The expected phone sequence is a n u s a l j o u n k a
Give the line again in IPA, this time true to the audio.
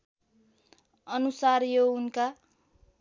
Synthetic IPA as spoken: ʌ n u s a r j o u n k a